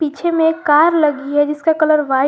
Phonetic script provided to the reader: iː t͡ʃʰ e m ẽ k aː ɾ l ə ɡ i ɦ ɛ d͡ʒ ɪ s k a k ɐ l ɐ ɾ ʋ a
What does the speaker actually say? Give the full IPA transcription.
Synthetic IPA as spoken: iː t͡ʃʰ e m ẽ k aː ɾ l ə ɡ i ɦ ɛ d͡ʒ ɪ s k a k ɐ l ə ɾ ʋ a

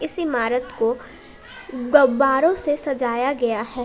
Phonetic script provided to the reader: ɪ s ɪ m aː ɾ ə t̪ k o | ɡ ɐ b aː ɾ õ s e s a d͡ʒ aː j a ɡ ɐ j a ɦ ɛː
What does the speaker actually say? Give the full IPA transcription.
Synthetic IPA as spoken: ɪ s ɪ m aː ɾ ə t̪ k o | ɡ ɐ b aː ɾ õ s e s ɐ d͡ʒ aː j a ɡ ɐ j a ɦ ɛː

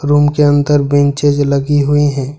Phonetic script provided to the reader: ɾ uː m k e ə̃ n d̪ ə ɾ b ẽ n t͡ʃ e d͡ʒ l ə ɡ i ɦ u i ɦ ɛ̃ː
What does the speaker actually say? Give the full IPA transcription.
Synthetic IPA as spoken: ɾ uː m k e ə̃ n t̪ ə ɾ b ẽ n t͡ʃ e d͡ʒ l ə ɡ i ɦ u i ɦ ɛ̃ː

